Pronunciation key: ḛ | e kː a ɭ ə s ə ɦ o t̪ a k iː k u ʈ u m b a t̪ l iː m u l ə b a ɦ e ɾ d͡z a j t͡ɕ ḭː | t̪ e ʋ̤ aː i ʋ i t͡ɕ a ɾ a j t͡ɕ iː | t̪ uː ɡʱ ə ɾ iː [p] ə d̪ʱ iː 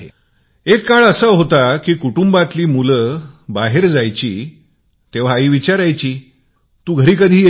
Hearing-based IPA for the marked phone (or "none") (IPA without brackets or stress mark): k